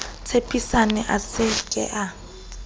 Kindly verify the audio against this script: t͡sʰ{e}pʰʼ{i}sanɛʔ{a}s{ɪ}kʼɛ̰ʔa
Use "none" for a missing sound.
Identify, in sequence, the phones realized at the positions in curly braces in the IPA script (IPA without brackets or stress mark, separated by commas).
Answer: e, i, a, ɪ